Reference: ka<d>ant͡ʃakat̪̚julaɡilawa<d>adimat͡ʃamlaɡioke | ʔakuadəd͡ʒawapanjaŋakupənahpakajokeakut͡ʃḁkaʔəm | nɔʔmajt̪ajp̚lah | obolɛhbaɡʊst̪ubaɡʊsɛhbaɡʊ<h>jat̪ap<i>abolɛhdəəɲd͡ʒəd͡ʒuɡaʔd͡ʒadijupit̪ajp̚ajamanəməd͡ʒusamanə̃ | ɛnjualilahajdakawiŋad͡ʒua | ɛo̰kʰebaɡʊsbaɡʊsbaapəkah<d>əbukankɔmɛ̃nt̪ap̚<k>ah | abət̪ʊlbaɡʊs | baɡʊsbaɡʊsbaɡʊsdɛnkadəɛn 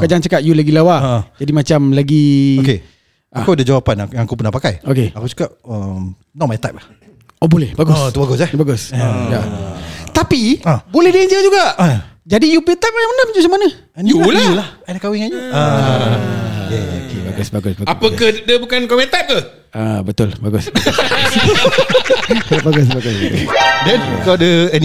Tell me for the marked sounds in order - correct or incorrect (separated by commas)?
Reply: incorrect, incorrect, incorrect, correct, correct, correct